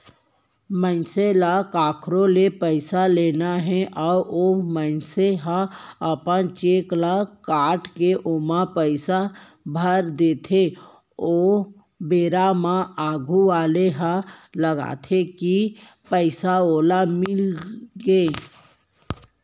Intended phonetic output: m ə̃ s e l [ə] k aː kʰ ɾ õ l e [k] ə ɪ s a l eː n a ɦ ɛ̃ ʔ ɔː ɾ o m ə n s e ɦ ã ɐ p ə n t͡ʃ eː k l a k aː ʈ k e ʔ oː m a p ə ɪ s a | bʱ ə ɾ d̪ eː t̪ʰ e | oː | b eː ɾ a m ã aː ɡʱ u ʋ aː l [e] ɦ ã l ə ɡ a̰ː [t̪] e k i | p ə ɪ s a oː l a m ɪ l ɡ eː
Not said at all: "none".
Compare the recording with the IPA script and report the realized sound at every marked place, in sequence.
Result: a, p, e, t̪ʰ

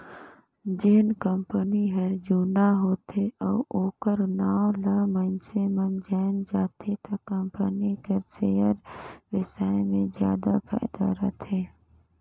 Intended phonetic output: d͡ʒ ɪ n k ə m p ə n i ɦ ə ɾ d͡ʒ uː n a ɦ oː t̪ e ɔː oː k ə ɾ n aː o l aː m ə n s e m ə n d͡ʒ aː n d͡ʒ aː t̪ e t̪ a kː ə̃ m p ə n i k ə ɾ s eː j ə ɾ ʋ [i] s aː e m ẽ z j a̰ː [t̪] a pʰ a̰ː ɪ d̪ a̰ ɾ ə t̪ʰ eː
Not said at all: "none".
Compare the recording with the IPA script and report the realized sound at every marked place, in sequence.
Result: ɪ, d̪

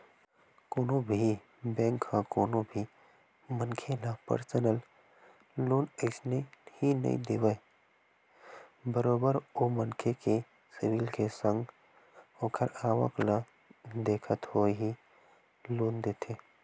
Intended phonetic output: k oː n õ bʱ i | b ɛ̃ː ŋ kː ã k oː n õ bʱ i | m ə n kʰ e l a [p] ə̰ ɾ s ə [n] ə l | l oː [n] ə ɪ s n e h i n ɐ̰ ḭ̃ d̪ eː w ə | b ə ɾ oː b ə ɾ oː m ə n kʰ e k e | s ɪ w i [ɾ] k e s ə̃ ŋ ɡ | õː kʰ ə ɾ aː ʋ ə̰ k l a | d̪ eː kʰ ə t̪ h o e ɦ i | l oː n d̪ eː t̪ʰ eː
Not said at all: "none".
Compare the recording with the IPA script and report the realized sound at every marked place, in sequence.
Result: p, n, n, l

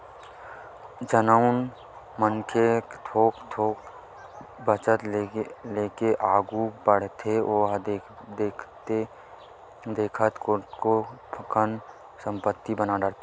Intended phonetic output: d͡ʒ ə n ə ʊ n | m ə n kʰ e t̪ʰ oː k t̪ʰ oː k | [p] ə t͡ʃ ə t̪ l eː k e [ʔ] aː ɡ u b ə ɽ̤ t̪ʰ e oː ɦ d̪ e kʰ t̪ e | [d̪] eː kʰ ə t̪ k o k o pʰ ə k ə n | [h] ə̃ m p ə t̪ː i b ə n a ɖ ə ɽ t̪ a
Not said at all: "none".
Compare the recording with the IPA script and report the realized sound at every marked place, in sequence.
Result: b, ʔ, d̪, s

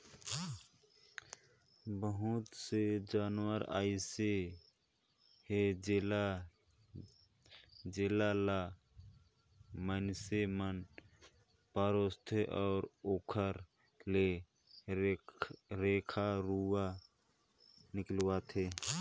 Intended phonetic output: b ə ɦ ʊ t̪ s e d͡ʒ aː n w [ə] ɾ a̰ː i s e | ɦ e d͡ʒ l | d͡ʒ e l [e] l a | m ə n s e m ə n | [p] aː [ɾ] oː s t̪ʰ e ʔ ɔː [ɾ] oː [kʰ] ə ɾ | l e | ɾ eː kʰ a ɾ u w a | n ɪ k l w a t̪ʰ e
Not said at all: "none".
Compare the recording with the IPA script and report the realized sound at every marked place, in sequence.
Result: ə, a, p, ɾ, ɾ, kʰ

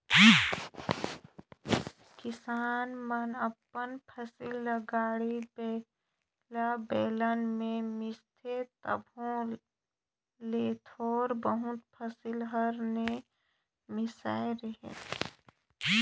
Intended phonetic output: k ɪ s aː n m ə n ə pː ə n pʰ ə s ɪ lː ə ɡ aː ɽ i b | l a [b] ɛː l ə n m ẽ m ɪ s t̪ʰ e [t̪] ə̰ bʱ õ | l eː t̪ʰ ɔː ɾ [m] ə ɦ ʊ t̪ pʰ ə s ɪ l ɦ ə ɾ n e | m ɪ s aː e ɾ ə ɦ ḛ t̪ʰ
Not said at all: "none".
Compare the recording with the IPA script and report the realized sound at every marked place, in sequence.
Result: b, t̪, b

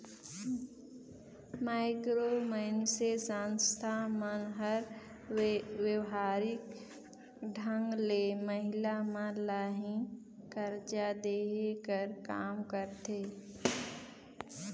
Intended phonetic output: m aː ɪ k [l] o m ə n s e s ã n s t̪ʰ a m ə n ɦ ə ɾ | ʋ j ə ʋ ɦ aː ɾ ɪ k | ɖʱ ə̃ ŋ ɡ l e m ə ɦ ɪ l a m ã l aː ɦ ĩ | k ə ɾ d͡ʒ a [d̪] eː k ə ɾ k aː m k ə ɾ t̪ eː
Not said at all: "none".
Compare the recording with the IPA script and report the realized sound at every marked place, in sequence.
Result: ɾ, d̪

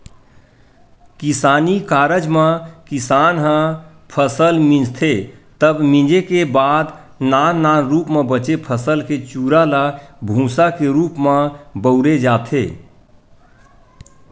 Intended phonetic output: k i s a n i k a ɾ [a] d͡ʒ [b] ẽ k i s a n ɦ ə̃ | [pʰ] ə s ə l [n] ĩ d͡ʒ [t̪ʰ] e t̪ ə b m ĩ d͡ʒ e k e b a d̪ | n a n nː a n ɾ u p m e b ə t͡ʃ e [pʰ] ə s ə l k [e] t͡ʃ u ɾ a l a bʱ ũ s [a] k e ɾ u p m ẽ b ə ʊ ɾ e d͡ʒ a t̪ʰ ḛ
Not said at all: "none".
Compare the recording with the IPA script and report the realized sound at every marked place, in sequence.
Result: ə, m, pʰ, m, t̪ʰ, pʰ, e, a

